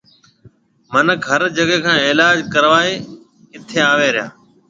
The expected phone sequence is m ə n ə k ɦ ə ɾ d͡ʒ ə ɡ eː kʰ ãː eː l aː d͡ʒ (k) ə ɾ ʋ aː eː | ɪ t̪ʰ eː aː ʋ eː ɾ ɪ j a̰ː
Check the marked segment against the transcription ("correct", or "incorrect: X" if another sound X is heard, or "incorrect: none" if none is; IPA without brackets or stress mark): correct